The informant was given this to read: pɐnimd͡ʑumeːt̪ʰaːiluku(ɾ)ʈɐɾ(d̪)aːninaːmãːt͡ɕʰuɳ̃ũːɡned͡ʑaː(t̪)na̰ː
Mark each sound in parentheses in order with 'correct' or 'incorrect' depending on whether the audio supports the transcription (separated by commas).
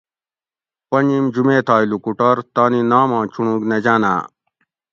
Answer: incorrect, incorrect, incorrect